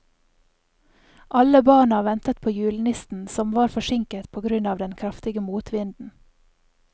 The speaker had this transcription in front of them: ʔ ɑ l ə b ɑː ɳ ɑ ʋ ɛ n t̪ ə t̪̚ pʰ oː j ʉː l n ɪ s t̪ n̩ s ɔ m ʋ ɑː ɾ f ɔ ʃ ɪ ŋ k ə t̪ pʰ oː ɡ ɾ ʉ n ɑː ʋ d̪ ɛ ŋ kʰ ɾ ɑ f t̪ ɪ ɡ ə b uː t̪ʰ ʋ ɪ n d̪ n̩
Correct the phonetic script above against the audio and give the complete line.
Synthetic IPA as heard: ʔ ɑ l ə b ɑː ɳ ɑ ʋ ɛ n t̪ ə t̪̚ pʰ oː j ʉː l n ɪ s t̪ n̩ s ɔ m ʋ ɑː ɾ f ɔ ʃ ɪ ŋ k ə t̪ pʰ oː ɡ ɾ ʉ n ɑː ʋ d̪ ɛ n kʰ ɾ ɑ f t̪ ɪ ɡ ə m uː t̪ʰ ʋ ɪ n d̪ n̩